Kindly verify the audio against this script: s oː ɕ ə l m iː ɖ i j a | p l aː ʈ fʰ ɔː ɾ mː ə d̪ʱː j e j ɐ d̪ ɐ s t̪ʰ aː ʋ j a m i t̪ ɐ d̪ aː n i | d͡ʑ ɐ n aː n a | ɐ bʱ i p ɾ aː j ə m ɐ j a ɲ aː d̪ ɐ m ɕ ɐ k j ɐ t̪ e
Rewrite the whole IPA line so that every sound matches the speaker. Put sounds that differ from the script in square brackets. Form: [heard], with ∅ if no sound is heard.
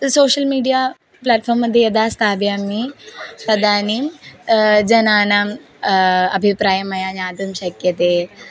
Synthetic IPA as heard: s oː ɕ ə l m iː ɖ i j a | p l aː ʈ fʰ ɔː ɾ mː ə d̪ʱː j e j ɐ d̪ [a] s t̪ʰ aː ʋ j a m i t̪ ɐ d̪ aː n i | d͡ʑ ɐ n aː n a | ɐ bʱ i p ɾ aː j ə m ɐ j a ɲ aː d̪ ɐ m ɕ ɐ k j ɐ t̪ e